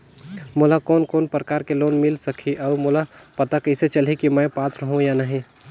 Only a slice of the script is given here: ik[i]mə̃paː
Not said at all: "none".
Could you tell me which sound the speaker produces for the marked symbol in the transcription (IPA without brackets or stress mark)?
i